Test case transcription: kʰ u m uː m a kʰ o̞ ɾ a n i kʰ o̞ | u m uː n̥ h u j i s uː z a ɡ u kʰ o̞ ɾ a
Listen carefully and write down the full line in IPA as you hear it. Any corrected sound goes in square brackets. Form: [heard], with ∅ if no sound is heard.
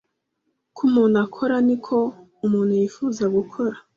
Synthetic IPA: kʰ u m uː [n] a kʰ o̞ ɾ a n i kʰ o̞ | u m uː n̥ h u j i [f] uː z a ɡ u kʰ o̞ ɾ a